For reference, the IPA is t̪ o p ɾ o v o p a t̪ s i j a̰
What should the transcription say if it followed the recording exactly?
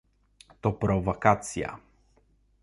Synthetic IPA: t̪ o p ɾ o v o k a t̪ s i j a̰